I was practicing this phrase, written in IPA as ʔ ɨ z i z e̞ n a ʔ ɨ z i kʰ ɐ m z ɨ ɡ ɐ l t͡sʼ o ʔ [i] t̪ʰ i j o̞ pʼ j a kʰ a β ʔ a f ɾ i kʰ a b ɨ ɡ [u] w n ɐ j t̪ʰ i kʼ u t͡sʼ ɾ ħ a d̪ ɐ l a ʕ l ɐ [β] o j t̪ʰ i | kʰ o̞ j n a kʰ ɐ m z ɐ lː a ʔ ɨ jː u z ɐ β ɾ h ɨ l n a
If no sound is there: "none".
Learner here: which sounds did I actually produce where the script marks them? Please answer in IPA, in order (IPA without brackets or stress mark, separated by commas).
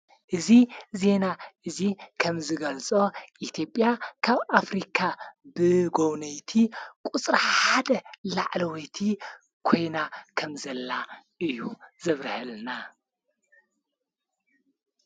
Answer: i, o, w